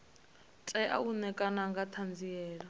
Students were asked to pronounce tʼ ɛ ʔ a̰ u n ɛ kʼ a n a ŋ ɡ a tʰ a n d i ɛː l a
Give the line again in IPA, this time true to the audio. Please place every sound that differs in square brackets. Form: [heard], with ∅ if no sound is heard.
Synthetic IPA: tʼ ɛ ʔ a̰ u n ɛ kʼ a n a ŋ ɡ a tʰ a n [d͡z] i ɛː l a